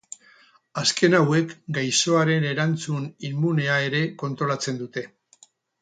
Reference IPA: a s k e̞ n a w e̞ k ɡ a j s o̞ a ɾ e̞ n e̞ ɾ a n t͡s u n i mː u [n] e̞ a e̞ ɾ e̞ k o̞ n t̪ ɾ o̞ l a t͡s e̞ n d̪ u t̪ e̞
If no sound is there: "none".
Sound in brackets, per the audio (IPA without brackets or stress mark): n